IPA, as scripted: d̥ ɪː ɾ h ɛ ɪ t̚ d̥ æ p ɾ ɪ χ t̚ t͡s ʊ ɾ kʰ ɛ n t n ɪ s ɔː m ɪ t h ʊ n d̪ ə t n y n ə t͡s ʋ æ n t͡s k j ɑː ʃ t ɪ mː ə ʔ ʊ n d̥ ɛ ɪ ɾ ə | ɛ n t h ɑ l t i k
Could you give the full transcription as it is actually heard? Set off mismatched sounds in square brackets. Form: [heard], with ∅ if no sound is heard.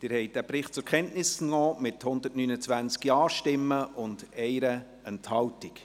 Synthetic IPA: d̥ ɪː ɾ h ɛ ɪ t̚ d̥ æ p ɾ ɪ χ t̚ t͡s ʊ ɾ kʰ ɛ n t n ɪ s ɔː m ɪ t h ʊ n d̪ ə t n y n ə t͡s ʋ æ n t͡s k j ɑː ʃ t ɪ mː ə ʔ ʊ n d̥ ɛ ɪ ɾ ə | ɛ n t h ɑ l t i k